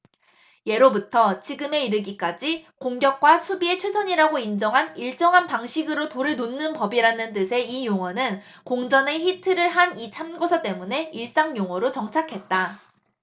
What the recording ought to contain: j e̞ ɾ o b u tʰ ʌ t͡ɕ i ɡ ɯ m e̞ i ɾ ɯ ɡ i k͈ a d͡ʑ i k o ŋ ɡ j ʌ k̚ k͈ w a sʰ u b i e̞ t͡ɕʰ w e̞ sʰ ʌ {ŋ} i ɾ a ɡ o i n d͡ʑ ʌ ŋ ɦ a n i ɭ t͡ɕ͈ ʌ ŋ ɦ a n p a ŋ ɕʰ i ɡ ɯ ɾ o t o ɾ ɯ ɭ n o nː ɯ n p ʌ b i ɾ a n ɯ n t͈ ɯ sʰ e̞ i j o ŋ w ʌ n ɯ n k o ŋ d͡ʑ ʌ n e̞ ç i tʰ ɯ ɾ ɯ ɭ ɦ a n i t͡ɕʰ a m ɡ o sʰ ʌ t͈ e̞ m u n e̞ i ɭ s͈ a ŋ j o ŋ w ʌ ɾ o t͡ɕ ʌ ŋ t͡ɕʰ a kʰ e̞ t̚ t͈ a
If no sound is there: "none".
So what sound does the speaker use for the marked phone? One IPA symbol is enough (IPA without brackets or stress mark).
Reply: ɲ